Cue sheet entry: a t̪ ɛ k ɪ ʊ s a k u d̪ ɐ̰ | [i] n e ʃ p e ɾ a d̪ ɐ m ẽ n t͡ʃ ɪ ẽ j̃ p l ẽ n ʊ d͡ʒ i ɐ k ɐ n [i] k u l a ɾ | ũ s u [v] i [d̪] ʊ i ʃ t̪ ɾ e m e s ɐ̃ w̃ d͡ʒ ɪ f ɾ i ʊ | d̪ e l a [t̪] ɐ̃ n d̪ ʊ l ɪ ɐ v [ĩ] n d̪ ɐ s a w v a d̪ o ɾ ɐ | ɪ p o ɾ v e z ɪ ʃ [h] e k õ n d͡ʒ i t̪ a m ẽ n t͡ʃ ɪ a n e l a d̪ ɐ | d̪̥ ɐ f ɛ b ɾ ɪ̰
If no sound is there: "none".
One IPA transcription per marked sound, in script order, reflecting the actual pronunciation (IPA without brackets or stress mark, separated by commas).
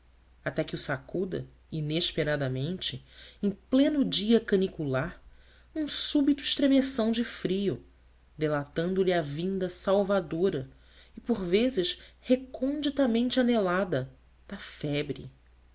i, i, b, t̪, t̪, ĩ, h